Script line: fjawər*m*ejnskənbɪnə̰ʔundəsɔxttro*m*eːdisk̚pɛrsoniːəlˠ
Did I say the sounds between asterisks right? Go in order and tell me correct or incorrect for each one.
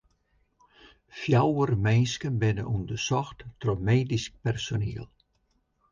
correct, correct

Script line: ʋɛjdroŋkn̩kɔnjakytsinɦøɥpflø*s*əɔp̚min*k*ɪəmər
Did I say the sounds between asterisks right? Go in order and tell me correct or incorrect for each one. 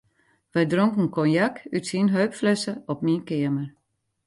correct, correct

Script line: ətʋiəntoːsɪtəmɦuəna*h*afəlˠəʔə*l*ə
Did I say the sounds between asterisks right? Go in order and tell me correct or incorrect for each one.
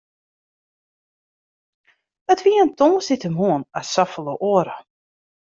incorrect, incorrect

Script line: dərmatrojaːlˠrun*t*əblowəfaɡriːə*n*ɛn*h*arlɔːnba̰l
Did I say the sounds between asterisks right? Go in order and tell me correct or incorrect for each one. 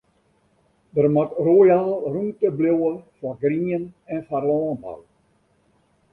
correct, correct, incorrect

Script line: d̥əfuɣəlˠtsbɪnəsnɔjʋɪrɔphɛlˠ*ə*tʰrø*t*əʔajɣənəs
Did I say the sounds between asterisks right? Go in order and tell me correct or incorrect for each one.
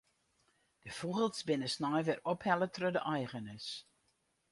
correct, incorrect

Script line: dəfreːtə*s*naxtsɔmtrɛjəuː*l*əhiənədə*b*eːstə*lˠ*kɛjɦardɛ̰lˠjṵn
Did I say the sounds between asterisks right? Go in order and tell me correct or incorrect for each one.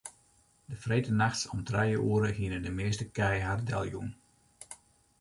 incorrect, incorrect, incorrect, incorrect

